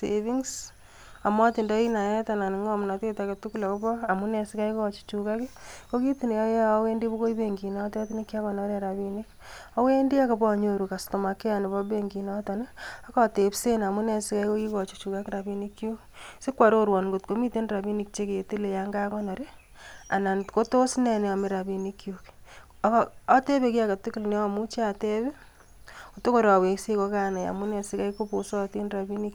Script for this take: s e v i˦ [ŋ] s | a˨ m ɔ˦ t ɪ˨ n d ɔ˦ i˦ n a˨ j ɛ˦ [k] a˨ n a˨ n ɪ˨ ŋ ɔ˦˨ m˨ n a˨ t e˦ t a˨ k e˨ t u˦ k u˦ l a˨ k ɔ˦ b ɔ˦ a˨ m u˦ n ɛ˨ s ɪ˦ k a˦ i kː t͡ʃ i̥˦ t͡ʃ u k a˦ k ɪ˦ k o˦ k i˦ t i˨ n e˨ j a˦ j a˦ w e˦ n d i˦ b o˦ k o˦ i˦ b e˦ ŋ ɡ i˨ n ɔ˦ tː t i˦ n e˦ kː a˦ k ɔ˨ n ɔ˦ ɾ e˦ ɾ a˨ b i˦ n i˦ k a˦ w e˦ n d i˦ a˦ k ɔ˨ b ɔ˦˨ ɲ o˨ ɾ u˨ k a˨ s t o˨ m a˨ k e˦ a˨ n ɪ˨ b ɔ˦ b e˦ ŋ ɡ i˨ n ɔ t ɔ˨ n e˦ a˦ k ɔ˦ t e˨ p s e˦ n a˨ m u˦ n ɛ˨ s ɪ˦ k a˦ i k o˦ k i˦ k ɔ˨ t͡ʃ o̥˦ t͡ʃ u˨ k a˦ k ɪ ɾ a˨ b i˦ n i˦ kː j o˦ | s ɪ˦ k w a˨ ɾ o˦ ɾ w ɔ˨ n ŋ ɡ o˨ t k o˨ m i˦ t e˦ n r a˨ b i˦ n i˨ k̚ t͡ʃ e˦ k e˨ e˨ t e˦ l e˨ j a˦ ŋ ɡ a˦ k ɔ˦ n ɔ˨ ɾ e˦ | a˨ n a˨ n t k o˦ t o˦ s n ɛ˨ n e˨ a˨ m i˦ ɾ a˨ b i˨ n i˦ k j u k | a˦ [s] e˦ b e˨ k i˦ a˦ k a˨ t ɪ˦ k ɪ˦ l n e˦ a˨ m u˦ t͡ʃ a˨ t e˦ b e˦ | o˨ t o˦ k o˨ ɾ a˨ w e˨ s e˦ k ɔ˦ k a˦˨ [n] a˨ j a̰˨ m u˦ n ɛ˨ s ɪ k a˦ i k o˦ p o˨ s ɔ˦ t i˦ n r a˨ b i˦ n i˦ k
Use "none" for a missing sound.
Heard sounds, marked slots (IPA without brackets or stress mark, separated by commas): ŋ, t, t, n